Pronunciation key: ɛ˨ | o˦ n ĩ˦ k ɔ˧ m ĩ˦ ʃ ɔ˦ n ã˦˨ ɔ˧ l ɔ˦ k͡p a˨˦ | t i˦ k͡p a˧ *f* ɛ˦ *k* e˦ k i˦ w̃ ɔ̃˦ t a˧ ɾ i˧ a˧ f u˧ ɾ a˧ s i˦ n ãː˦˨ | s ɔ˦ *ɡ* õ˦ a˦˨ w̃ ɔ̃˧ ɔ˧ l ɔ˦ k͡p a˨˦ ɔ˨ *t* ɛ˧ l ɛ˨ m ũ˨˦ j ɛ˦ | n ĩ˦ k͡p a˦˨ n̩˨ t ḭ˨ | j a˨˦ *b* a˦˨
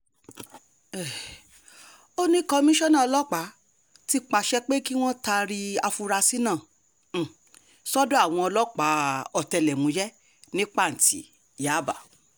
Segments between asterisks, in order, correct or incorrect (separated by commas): incorrect, incorrect, incorrect, correct, correct